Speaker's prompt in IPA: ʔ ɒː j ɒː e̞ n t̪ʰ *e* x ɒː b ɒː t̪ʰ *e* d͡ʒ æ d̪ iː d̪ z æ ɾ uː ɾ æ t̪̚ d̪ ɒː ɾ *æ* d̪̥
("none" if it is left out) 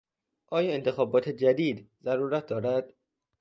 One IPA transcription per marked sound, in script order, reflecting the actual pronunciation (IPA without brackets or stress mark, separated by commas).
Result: e, e, æ